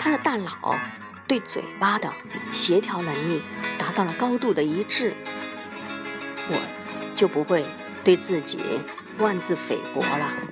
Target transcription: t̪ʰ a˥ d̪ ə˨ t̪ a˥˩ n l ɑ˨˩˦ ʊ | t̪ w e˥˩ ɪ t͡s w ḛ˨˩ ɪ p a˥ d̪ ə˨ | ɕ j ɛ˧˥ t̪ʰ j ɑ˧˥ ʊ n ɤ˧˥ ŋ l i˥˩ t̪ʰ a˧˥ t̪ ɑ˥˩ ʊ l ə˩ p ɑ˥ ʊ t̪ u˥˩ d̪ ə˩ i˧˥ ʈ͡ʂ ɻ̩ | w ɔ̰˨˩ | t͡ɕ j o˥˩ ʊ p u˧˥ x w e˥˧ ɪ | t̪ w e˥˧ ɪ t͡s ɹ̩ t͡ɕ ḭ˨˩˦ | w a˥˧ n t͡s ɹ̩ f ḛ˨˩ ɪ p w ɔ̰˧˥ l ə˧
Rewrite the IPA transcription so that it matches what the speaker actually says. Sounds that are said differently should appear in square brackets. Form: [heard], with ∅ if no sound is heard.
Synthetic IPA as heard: t̪ʰ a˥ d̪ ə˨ t̪ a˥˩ n l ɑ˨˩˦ ʊ | t̪ w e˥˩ ɪ t͡s w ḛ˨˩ ɪ p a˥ d̪ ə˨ | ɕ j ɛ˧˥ t̪ʰ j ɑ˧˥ ʊ n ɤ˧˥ ŋ l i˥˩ [t̪] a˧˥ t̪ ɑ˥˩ ʊ l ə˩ [k] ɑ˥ ʊ t̪ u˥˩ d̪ ə˩ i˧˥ ʈ͡ʂ ɻ̩ | w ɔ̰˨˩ | t͡ɕ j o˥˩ ʊ p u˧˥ x w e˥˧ ɪ | t̪ w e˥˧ ɪ t͡s ɹ̩ t͡ɕ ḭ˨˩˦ | w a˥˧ n t͡s ɹ̩ f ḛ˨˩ ɪ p w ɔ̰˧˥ l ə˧